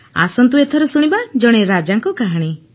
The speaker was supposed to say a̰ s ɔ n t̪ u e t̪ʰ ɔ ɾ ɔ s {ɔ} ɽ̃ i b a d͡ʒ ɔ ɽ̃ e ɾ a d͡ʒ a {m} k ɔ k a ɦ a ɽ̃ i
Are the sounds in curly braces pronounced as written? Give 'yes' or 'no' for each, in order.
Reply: no, no

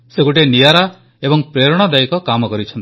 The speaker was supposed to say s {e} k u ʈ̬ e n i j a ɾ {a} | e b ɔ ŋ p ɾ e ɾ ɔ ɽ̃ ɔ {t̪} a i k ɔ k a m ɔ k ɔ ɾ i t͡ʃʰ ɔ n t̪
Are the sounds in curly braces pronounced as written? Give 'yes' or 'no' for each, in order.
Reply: yes, yes, no

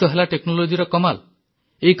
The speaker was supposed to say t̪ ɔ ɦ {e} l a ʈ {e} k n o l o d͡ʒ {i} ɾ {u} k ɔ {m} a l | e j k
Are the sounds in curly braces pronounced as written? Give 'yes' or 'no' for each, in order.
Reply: yes, yes, yes, no, yes

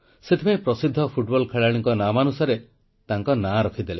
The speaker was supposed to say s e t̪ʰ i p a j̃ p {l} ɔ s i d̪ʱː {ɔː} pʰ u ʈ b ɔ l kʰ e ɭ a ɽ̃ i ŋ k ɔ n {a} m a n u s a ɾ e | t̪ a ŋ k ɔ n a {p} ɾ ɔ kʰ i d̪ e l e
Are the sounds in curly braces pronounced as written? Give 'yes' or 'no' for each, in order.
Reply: no, no, yes, no

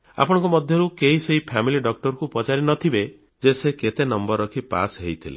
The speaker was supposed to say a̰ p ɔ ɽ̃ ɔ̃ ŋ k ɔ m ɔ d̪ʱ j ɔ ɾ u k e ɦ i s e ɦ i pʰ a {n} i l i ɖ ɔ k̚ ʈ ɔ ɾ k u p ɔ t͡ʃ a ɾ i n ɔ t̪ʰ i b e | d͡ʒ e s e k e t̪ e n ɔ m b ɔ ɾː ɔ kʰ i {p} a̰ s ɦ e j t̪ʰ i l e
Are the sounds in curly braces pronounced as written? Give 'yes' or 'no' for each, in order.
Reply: no, yes

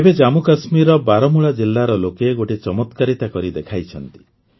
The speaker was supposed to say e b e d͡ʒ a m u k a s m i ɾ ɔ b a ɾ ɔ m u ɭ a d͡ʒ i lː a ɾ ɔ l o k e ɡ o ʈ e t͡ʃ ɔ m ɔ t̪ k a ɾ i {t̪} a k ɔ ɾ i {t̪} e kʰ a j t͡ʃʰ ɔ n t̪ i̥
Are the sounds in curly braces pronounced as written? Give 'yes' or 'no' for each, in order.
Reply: yes, no

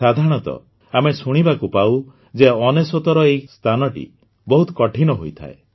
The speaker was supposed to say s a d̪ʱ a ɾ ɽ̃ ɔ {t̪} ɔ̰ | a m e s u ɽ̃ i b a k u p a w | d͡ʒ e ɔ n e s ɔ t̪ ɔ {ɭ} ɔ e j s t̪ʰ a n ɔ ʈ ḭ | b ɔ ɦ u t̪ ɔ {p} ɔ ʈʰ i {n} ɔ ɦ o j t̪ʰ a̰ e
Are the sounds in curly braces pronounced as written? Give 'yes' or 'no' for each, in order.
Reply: yes, no, no, yes

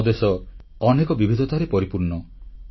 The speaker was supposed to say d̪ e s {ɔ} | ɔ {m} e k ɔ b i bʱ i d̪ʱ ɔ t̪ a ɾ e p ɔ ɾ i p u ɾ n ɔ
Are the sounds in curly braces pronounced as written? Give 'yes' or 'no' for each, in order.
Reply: yes, no

